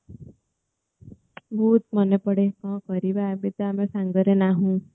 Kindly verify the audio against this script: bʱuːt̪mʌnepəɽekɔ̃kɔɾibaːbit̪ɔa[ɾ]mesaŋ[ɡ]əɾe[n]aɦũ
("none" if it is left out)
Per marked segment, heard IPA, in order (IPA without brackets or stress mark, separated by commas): none, ɡ, n